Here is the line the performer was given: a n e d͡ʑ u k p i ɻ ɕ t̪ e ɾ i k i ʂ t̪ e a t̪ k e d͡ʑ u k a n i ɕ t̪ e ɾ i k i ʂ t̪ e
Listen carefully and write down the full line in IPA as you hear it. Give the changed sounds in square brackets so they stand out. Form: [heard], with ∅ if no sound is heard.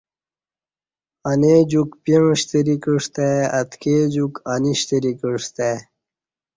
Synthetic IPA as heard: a n e d͡ʑ u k p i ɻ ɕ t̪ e ɾ i k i ʂ t̪ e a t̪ k e d͡ʑ u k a n i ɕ t̪ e ɾ i k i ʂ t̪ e